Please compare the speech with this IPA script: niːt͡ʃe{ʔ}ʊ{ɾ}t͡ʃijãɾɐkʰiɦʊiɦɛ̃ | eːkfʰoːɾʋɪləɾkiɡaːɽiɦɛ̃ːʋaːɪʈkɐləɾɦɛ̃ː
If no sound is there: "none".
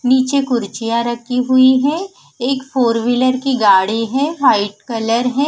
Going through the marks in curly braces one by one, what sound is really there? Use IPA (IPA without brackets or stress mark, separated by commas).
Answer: k, ɾ